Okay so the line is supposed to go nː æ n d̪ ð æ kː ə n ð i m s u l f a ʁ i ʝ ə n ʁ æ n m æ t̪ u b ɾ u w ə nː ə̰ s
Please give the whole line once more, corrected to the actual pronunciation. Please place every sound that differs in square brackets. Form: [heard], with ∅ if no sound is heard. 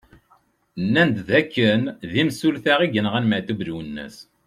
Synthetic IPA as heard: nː æ n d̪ ð æ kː ə n ð i m s u l [θ] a ʁ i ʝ ə n ʁ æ n m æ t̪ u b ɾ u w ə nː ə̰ s